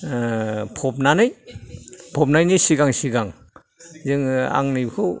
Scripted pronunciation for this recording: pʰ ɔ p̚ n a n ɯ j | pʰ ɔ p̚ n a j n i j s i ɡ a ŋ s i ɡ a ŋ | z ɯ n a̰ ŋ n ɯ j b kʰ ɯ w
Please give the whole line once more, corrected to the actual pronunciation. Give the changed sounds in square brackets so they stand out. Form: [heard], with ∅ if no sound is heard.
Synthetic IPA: pʰ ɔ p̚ n a n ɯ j | pʰ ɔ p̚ n a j n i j s i ɡ a ŋ s i ɡ a ŋ | z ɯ [ŋ] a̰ ŋ n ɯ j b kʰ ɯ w